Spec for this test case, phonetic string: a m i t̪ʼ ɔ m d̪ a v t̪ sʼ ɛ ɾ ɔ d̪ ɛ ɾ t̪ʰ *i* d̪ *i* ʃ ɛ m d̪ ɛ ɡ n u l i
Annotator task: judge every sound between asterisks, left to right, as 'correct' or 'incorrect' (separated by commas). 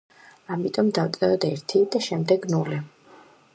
correct, incorrect